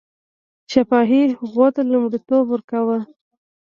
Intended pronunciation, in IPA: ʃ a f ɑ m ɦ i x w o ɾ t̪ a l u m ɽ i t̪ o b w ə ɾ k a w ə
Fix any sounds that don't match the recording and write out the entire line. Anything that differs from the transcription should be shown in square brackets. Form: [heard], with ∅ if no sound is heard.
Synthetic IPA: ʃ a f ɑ [∅] ɦ i [ɣ] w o [∅] t̪ a l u m ɽ i t̪ o b w ə ɾ k a w ə